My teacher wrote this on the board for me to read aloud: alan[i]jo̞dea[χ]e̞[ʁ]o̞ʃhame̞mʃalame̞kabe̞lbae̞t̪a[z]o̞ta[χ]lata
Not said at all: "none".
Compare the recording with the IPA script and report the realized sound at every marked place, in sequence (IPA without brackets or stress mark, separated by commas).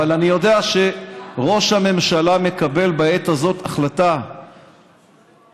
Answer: i, ʃ, ʁ, z, χ